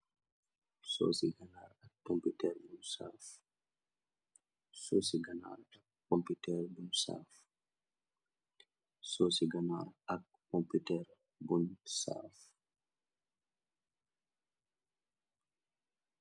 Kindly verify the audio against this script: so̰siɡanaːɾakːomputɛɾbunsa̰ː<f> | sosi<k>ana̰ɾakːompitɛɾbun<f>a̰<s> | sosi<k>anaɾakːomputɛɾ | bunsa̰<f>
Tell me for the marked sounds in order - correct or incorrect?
correct, incorrect: ɡ, incorrect: s, incorrect: f, incorrect: ɡ, correct

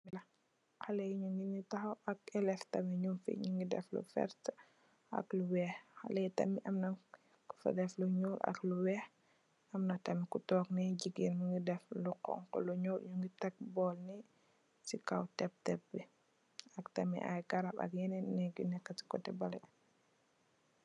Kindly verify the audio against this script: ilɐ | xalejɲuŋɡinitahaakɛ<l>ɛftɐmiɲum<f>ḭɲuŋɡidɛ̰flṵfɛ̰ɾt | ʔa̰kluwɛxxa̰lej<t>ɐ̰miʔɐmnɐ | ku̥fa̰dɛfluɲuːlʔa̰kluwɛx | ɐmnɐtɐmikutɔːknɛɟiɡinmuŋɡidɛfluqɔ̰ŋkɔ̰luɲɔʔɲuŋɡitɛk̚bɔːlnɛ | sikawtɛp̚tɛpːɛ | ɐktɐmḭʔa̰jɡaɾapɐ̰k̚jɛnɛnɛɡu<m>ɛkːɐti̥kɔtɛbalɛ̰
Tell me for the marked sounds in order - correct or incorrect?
correct, correct, correct, incorrect: n

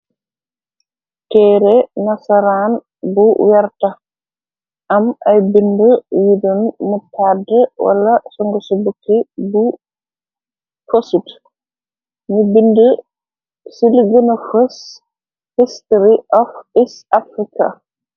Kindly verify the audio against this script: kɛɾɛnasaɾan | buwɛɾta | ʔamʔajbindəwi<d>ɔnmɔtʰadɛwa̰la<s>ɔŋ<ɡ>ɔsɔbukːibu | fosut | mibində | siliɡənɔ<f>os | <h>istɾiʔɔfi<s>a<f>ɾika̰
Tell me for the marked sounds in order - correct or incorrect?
correct, correct, correct, correct, correct, correct, correct

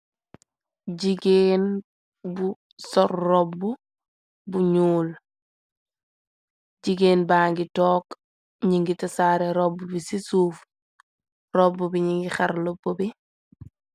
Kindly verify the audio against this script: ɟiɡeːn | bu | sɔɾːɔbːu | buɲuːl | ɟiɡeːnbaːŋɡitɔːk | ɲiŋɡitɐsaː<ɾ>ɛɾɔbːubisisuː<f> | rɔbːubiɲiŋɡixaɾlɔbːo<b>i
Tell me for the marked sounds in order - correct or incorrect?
correct, correct, correct

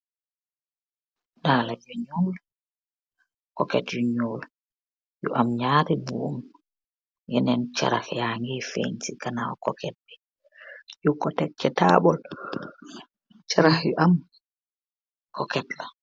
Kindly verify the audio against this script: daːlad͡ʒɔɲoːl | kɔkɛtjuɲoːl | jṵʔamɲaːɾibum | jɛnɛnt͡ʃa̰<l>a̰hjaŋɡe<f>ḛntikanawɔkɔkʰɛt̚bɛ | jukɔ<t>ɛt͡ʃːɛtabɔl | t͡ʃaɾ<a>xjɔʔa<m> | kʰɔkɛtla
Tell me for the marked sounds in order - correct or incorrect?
incorrect: ɾ, correct, correct, correct, correct

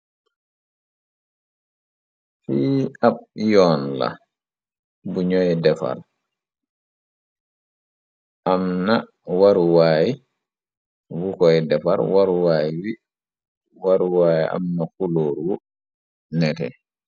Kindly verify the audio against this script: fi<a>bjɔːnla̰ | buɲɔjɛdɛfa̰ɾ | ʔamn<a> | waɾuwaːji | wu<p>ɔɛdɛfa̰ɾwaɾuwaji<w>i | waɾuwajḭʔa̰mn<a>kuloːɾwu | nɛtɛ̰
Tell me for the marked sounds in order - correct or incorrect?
correct, correct, incorrect: k, correct, correct

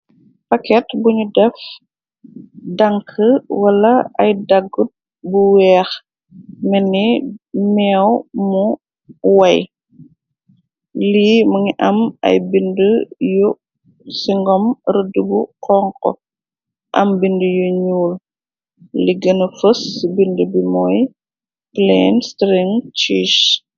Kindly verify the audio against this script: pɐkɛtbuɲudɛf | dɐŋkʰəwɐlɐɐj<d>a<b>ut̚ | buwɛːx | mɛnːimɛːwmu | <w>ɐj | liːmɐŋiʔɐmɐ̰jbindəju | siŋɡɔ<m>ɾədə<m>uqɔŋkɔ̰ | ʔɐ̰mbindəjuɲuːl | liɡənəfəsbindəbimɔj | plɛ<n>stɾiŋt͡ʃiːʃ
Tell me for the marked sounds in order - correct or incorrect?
correct, incorrect: ɡ, correct, correct, incorrect: b, correct

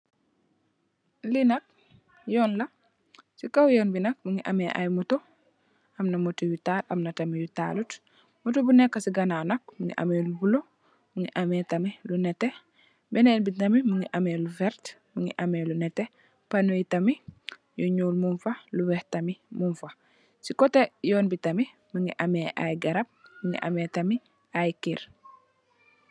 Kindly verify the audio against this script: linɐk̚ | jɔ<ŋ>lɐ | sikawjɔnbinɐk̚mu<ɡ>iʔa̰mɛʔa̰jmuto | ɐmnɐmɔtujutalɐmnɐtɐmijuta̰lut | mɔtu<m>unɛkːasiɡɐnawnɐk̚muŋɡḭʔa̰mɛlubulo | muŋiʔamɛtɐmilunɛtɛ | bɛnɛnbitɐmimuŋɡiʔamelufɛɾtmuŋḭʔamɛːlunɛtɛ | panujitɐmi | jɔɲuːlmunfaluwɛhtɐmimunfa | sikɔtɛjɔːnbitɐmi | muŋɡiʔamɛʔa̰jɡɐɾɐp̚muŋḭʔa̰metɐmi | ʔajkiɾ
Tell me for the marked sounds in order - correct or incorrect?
incorrect: n, incorrect: ŋ, incorrect: b

